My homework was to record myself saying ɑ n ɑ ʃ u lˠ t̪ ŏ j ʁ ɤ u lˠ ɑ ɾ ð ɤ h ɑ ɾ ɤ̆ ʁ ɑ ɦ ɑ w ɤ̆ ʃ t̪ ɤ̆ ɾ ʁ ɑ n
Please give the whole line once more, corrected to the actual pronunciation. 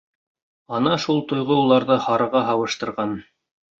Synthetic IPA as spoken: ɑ n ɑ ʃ u lˠ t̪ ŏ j ʁ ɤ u lˠ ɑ ɾ ð ɤ h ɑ ɾ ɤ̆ ʁ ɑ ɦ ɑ w ɤ̆ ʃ t̪ ɤ̆ ɾ ʁ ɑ n